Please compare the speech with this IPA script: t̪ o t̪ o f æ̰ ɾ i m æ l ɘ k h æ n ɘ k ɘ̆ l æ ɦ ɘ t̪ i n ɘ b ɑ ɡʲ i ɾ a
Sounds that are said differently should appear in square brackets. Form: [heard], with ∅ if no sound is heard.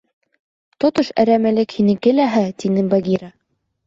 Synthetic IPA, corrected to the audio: t̪ o t̪ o [ʃ] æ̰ ɾ [æ] m æ l ɘ k h [i] n ɘ k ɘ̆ l æ ɦ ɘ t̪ i n ɘ b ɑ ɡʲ i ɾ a